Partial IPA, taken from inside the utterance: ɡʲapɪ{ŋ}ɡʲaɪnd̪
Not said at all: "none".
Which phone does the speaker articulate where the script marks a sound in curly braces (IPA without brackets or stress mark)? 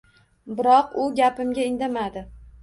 m